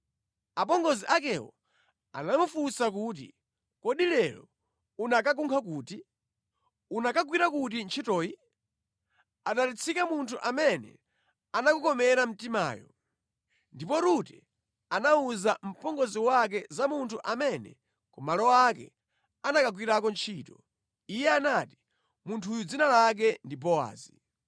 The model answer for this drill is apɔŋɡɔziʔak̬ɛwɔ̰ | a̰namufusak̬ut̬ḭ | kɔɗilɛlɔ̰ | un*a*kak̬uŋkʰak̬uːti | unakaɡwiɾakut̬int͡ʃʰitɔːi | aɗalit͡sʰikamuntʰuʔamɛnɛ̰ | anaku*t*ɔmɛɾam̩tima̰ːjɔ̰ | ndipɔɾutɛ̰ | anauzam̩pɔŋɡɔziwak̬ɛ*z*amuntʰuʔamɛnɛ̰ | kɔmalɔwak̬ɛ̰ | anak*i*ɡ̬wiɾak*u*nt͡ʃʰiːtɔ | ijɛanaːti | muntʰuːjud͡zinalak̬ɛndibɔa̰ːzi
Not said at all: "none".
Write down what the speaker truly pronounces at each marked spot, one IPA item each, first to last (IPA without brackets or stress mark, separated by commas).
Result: a, k, z, a, ɔ